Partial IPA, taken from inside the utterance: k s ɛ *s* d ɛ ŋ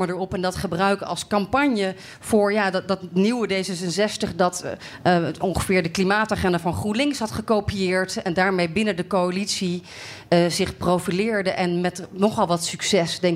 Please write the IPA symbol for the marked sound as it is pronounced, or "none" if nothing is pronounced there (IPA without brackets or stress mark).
s